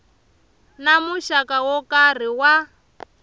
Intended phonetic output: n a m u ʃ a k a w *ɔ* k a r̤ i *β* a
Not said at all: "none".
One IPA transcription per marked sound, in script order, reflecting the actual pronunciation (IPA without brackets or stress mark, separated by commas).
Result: ɔ, w